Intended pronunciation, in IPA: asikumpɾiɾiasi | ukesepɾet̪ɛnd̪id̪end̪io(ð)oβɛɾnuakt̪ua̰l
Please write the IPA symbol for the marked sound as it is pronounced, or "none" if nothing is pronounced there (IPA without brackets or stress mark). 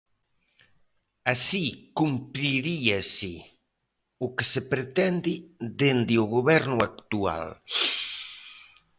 ɣ